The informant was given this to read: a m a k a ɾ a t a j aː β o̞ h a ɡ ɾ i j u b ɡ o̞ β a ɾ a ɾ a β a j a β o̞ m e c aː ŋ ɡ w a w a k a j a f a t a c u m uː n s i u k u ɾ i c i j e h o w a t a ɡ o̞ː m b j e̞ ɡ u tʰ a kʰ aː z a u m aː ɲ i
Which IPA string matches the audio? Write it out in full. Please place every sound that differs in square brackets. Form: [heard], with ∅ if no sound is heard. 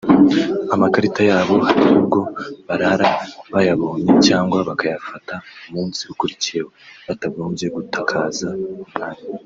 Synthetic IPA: a m a k a ɾ [i] t a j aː β o̞ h a [∅] ɾ i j u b ɡ o̞ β a ɾ a ɾ a β a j a β o̞ [ɲ] e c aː ŋ ɡ w a [β] a k a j a f a t a [∅] u m uː n s i u k u ɾ i c i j e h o [β] a t a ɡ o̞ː m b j e̞ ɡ u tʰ a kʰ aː z a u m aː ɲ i

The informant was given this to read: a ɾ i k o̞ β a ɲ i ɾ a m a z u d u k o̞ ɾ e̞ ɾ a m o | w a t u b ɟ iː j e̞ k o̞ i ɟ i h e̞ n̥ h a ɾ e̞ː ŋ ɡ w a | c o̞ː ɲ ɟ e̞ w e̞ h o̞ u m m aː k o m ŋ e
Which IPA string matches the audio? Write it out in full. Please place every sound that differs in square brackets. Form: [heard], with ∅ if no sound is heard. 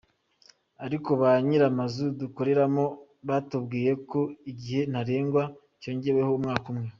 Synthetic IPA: a ɾ i k o̞ β a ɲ i ɾ a m a z u d u k o̞ ɾ e̞ ɾ a m o | [β] a t u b [ɡ] iː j e̞ k o̞ i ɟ i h e̞ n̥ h a ɾ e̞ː ŋ ɡ w a | c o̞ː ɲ ɟ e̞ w e̞ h o̞ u m [ŋ] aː k [u] m ŋ e

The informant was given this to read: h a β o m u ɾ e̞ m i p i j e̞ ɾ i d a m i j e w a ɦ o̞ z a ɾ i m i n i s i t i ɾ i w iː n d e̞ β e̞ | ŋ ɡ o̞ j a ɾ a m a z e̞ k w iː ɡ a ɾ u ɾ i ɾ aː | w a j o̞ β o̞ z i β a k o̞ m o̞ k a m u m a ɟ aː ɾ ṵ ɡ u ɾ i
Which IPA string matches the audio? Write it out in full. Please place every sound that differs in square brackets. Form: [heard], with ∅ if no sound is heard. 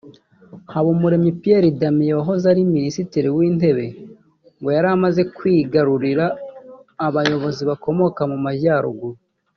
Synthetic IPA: h a β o m u ɾ e̞ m i p i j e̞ ɾ i d a m i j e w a ɦ o̞ z a ɾ i m i n i s i t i ɾ i w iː n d e̞ β e̞ | ŋ ɡ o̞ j a ɾ a m a z e̞ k w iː ɡ a ɾ u ɾ i ɾ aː | [β] a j o̞ β o̞ z i β a k o̞ m o̞ k a m u m a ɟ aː ɾ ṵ ɡ u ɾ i

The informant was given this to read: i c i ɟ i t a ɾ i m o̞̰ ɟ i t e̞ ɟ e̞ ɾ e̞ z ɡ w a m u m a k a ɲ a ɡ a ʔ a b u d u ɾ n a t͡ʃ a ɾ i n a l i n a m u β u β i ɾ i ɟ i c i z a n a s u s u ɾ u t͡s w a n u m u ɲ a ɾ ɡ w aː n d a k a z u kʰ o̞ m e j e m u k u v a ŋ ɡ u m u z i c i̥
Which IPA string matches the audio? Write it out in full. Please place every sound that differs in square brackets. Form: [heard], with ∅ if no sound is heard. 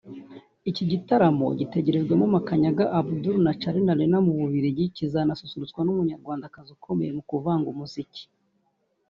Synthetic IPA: i c i ɟ i t a ɾ [a] m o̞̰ ɟ i t e̞ ɟ e̞ ɾ e̞ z ɡ w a m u m a k a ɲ a ɡ a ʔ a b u d u ɾ n a t͡ʃ a ɾ i n a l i n a m u β u β i ɾ i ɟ i c i z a n a s u s u ɾ u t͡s w a n u m u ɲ a ɾ ɡ w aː n d a k a z u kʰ o̞ m e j e m u k u v a ŋ ɡ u m u z i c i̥

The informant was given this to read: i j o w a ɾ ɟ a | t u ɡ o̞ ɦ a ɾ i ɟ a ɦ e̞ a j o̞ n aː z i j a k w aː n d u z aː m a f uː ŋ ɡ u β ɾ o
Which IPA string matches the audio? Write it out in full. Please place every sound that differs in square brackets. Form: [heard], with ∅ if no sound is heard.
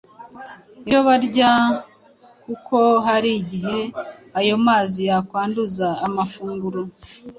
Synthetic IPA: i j o [β] a ɾ ɟ a | [k] u [k] o̞ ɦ a ɾ i ɟ [i] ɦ e̞ a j o̞ [m] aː z i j a k w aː n d u z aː m a f uː ŋ ɡ u [∅] ɾ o

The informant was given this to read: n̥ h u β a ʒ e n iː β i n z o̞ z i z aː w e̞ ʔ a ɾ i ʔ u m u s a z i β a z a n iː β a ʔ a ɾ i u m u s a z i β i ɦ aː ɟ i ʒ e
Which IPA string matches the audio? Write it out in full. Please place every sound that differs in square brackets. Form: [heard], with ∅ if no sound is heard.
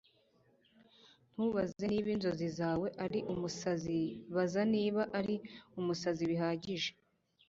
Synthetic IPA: n̥ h u β a [z] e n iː β i n z o̞ z i z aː w e̞ ʔ a ɾ i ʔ u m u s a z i β a z a n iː β a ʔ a ɾ i u m u s a z i β i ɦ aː ɟ i ʒ e

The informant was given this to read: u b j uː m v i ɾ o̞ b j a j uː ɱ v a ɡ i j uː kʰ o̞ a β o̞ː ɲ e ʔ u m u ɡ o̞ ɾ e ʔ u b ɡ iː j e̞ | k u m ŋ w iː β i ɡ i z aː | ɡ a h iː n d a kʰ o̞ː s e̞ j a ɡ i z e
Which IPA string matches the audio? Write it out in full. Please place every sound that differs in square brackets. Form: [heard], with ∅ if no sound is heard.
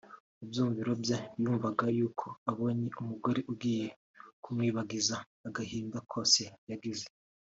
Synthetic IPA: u b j uː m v i ɾ o̞ b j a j uː ɱ v a ɡ [a] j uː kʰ o̞ a β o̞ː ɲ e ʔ u m u ɡ o̞ ɾ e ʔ u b ɡ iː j e̞ | k u m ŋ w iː β [a] ɡ i z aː | ɡ a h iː n d a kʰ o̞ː s e̞ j a ɡ i z e

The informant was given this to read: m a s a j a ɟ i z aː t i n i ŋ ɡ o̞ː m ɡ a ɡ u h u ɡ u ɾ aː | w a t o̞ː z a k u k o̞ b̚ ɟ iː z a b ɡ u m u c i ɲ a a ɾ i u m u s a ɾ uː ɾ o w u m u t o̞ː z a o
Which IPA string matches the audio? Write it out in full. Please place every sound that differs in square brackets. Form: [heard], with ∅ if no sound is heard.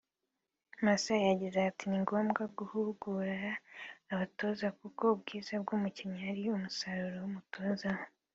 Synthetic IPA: m a s a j a ɟ i z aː t i n i ŋ ɡ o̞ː m ɡ a ɡ u h u ɡ u ɾ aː | [β] a t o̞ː z a k u k o̞ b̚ [ɡ] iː z a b ɡ u m u c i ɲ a a ɾ i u m u s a ɾ [u] ɾ o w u m u t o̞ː z a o

